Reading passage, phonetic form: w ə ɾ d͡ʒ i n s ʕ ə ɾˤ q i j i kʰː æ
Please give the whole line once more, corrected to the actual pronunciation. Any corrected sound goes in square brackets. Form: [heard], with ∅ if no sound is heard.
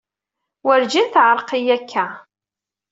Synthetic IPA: w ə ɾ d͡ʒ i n [θ] ʕ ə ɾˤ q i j [æ] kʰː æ